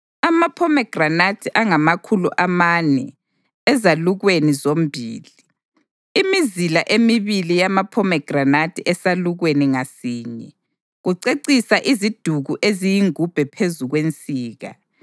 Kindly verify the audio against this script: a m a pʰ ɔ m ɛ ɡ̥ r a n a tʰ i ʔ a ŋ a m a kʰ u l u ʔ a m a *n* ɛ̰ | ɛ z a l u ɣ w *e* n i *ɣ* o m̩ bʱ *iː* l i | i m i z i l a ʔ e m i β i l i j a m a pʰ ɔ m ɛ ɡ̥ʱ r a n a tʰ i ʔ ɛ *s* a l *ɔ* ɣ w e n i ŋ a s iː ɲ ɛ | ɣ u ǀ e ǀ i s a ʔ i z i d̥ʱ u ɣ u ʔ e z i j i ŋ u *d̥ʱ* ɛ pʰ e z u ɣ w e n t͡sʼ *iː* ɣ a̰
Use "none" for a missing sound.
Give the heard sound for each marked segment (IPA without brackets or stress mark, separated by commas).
n, e, z, iː, s, u, b̥ʱ, iː